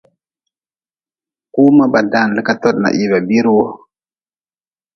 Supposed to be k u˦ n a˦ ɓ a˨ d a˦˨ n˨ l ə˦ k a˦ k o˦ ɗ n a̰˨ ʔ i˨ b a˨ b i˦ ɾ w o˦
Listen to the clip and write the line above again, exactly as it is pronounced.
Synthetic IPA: k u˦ m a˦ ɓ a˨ d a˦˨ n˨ l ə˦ k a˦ t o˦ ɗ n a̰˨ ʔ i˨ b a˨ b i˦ ɾ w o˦